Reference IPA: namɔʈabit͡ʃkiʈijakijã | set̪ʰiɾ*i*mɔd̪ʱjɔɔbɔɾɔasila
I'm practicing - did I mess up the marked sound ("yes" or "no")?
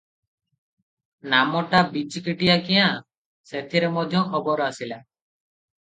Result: yes